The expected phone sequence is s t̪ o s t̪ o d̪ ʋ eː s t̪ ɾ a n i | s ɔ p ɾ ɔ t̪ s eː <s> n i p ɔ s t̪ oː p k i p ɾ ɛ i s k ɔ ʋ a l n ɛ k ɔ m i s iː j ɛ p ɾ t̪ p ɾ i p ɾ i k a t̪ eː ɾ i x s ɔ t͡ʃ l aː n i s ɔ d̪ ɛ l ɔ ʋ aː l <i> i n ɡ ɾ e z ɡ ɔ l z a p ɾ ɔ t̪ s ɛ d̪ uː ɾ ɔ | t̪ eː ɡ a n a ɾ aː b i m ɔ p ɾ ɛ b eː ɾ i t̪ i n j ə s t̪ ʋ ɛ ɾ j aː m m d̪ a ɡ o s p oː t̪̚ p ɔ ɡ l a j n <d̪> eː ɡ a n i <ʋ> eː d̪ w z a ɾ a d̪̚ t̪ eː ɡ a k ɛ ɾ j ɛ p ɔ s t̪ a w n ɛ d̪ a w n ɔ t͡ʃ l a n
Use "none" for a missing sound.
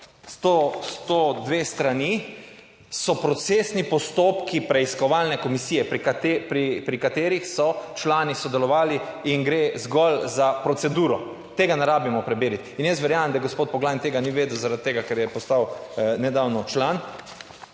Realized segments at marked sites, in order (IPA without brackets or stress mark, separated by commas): s, i, t̪, ʋ